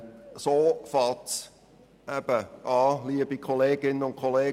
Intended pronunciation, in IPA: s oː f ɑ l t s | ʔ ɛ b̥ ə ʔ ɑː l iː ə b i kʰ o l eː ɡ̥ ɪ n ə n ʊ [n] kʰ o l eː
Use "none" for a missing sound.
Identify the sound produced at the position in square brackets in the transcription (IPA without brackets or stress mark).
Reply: n